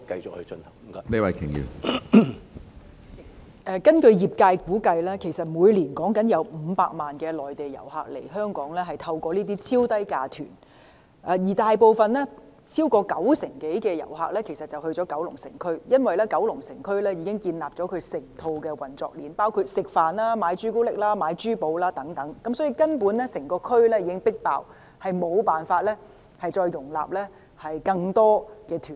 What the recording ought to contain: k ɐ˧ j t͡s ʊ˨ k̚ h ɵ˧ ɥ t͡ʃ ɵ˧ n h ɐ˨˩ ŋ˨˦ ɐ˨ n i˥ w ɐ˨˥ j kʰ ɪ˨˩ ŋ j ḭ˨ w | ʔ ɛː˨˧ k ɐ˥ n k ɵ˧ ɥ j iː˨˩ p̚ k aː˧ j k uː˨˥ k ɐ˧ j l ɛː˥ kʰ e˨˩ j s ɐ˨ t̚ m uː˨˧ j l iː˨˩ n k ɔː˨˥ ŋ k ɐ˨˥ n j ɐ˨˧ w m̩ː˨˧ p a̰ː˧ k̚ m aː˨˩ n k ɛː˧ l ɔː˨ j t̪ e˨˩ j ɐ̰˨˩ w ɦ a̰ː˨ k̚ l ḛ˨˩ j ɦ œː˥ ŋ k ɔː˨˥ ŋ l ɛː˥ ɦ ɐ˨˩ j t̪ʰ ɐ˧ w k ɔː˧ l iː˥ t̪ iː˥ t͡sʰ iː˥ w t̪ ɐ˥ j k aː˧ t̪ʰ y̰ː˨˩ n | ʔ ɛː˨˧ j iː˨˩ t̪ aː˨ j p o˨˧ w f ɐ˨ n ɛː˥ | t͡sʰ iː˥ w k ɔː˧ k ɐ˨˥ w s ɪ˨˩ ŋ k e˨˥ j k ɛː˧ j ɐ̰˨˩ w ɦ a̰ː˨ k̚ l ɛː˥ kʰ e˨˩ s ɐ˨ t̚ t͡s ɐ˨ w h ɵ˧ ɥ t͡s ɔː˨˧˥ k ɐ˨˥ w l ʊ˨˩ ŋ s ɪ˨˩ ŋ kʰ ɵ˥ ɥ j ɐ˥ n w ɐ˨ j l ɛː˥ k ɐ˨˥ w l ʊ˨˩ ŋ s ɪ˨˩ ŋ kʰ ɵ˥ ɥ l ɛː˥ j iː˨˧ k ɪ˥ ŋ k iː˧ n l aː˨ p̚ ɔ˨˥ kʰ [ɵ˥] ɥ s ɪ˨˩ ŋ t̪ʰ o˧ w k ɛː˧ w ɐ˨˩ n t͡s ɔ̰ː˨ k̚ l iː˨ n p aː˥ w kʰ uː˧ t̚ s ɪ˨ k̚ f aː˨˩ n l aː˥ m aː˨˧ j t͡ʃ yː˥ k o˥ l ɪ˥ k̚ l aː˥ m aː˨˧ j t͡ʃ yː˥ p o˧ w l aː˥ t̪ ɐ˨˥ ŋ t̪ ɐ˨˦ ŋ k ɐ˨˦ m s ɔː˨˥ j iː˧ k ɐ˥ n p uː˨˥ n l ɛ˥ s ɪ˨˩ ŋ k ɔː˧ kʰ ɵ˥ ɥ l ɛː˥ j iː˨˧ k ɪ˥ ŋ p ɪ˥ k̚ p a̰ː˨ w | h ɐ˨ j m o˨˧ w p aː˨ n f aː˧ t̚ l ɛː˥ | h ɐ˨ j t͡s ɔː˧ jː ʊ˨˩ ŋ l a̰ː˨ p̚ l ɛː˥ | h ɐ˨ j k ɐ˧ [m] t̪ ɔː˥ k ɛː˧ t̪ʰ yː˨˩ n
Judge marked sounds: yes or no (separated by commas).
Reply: no, no